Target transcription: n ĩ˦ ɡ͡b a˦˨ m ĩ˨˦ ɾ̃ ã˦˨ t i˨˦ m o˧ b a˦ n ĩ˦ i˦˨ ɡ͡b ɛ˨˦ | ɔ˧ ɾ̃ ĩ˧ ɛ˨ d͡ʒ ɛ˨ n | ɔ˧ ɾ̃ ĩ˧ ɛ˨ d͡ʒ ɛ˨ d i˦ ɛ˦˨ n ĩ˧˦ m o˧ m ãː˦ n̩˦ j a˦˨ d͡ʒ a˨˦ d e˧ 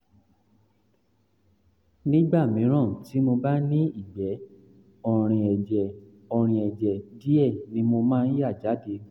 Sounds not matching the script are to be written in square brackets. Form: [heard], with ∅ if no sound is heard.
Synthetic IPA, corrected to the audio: n ĩ˦ ɡ͡b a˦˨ m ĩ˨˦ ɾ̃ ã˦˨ t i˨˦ m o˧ b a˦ n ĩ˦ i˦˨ ɡ͡b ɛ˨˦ | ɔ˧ ɾ̃ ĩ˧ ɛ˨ d͡ʒ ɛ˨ [∅] | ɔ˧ ɾ̃ ĩ˧ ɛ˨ d͡ʒ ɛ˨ d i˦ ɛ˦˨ n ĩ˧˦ m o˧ m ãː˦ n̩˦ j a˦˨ d͡ʒ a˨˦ d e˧